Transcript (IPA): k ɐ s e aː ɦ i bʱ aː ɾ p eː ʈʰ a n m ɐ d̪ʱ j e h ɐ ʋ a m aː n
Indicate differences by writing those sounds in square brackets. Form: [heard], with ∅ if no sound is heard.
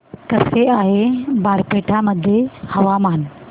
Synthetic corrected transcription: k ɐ s e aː ɦ [e] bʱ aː ɾ p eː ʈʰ a [∅] m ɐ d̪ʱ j e h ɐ ʋ a m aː n